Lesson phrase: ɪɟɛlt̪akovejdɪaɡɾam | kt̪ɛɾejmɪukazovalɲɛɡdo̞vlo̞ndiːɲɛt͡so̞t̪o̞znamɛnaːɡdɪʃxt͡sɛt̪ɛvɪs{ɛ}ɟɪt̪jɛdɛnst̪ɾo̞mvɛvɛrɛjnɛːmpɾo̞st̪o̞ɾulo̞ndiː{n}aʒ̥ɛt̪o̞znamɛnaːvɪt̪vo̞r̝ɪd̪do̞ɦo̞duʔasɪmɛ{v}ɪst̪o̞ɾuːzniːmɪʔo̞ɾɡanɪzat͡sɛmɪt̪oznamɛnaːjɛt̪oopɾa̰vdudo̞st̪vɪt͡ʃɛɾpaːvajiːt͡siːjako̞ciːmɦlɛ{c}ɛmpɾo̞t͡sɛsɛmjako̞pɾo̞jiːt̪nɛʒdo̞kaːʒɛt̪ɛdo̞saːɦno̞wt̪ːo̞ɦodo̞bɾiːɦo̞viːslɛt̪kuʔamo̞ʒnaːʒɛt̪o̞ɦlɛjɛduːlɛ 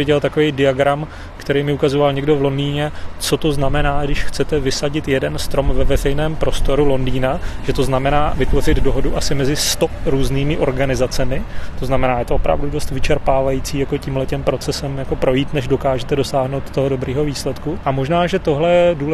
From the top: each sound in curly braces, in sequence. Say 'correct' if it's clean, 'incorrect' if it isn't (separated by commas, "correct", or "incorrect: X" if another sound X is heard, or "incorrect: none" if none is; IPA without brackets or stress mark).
incorrect: a, correct, incorrect: z, correct